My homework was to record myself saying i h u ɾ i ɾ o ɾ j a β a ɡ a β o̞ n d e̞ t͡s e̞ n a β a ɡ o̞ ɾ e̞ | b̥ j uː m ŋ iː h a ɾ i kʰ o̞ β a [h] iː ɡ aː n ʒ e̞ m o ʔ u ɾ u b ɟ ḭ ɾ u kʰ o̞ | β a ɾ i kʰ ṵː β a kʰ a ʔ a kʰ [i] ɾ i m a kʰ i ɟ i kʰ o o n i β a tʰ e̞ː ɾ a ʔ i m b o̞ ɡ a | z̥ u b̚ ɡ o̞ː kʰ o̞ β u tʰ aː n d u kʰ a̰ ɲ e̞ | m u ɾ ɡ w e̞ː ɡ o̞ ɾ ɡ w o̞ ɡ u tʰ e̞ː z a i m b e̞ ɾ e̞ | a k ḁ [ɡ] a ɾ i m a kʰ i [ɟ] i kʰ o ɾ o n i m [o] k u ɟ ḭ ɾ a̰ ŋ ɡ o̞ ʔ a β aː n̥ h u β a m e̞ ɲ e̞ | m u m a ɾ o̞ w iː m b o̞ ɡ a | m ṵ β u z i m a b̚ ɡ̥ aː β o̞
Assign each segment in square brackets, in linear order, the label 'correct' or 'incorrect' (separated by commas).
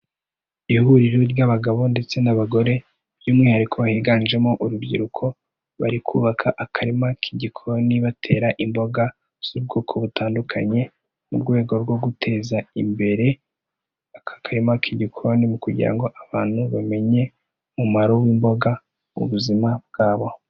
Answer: correct, incorrect, incorrect, correct, incorrect